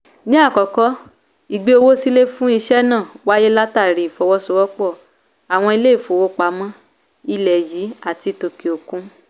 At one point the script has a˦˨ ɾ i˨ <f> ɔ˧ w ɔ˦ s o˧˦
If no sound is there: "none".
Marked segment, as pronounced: f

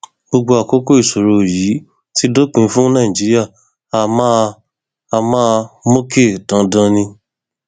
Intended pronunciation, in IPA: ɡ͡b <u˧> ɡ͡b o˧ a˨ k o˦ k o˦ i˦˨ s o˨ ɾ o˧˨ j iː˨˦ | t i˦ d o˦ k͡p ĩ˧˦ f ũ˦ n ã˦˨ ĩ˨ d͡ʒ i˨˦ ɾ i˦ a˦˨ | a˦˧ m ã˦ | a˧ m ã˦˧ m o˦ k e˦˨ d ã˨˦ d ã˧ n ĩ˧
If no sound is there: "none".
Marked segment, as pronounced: o˧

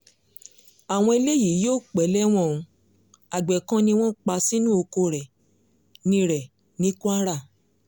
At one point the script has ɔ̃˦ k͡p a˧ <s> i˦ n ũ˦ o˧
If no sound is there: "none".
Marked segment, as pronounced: s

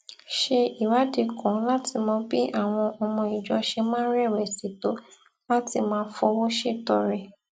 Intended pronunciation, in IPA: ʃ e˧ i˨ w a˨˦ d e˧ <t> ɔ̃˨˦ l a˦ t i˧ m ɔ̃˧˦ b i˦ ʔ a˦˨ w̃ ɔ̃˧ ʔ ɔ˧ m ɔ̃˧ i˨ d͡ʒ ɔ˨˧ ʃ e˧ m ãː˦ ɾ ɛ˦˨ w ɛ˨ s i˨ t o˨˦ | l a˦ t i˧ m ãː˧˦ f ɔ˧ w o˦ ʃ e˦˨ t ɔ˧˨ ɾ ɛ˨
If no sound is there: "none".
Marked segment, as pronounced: k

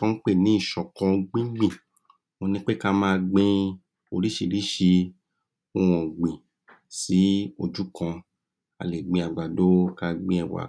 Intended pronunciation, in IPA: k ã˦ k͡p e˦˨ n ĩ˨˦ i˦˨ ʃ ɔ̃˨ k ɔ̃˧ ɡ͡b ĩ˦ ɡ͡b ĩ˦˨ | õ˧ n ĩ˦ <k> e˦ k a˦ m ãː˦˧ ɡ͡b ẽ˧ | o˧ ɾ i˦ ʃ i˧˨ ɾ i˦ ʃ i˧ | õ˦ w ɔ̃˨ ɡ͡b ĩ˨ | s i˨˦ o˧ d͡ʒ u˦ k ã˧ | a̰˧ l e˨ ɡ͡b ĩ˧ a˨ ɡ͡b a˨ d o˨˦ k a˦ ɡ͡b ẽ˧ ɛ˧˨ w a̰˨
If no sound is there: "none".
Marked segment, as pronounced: k͡p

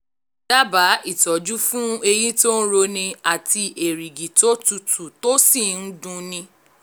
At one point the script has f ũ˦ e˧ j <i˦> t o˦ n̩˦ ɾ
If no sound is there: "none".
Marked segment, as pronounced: i˦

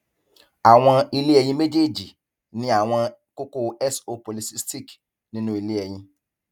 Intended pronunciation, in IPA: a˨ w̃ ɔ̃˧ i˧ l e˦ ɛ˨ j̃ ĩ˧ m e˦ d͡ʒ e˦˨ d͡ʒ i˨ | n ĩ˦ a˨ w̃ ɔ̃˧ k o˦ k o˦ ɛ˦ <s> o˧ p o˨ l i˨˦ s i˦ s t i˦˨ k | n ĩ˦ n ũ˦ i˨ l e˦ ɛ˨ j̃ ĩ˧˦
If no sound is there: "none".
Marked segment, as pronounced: s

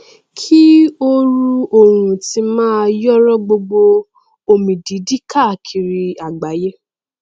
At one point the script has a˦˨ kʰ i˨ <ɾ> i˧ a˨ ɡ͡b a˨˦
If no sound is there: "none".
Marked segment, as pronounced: ɾ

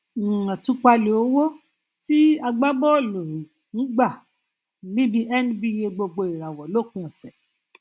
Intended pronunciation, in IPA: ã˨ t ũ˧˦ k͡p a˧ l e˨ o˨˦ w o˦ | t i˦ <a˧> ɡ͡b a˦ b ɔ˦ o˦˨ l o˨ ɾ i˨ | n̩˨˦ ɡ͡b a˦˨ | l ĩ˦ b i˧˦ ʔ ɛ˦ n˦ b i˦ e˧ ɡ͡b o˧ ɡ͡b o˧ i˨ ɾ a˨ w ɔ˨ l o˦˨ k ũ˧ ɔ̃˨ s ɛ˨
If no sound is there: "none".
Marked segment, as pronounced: a˧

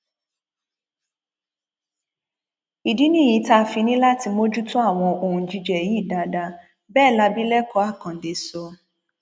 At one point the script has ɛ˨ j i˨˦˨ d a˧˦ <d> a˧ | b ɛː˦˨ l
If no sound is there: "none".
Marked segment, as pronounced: d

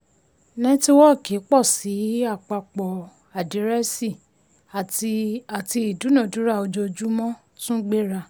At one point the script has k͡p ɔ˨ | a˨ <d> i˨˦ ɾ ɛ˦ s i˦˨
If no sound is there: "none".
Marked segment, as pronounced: d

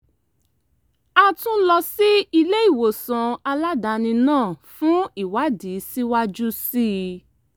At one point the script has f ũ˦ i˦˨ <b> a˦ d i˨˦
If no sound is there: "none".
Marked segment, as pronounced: w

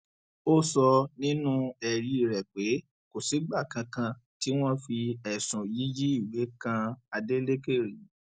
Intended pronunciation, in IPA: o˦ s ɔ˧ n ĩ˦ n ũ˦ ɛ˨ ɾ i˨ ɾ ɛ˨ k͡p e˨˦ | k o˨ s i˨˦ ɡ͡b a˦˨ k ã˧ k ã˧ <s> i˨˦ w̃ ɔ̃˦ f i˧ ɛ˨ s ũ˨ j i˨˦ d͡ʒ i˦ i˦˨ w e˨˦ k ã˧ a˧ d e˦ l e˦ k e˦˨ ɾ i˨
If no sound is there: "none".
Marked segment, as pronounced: t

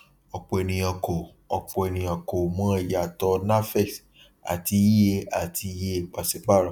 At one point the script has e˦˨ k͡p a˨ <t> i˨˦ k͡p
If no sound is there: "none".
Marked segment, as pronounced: s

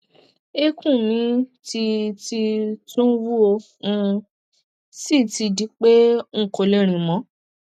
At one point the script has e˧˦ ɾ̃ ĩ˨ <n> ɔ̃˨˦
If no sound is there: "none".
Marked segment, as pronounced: m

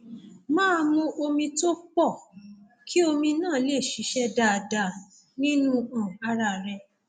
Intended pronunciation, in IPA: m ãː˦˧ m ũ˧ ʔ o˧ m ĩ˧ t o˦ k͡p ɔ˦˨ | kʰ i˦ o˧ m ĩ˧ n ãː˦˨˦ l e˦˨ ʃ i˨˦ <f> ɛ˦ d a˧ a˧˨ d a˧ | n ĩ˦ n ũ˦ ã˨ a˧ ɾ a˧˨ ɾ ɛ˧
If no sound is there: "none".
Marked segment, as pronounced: ʃ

